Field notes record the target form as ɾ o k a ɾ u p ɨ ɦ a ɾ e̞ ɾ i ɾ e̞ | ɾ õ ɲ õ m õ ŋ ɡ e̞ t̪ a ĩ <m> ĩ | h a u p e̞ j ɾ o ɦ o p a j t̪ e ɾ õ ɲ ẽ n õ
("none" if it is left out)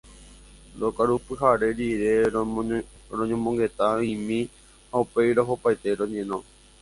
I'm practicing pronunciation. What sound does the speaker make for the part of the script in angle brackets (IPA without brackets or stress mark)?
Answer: m